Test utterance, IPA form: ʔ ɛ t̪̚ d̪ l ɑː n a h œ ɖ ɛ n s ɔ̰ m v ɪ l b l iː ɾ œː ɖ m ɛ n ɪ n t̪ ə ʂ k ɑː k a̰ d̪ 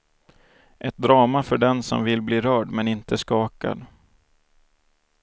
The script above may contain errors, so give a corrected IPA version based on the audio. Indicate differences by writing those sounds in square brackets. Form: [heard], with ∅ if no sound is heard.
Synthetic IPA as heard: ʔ ɛ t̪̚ d̪ [ɾ] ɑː [m] a [f] œ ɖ ɛ n s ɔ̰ m v ɪ l b l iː ɾ œː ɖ m ɛ n ɪ n t̪ ə [s] k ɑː k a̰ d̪